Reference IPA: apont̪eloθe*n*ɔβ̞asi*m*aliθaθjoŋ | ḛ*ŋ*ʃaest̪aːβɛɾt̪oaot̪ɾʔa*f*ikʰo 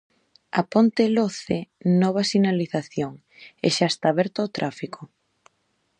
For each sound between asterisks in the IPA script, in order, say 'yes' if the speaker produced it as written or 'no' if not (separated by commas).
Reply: yes, no, no, yes